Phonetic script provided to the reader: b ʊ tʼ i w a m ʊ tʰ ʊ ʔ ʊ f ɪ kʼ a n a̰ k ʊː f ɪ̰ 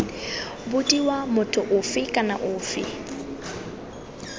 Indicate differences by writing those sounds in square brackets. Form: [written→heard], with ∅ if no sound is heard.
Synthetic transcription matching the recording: b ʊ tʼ i w a m ʊ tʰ ʊ ʔ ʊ f ɪ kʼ a n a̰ [k→ʔ] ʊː f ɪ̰